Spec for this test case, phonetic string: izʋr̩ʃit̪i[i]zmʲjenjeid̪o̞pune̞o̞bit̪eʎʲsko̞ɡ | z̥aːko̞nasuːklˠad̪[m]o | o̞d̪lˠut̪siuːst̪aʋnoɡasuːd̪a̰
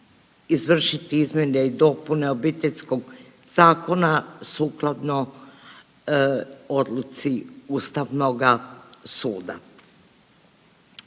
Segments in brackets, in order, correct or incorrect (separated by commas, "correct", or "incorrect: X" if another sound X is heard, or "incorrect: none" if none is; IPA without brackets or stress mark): correct, incorrect: n